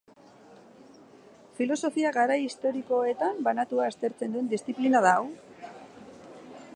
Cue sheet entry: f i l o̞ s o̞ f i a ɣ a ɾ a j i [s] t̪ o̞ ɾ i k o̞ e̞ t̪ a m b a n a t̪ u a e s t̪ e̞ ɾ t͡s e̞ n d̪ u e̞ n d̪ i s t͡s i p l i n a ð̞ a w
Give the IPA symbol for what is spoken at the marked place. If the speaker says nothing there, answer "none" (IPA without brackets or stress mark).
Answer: s